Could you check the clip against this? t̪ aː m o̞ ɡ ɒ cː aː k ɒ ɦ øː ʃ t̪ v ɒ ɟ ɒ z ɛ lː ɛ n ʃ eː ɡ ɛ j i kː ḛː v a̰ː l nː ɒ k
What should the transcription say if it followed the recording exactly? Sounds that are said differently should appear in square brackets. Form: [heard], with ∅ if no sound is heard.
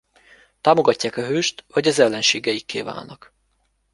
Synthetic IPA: t̪ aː m o̞ ɡ ɒ cː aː k ɒ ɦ øː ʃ t̪ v ɒ ɟ ɒ z ɛ lː ɛ n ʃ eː ɡ ɛ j i kː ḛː v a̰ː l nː ɒ k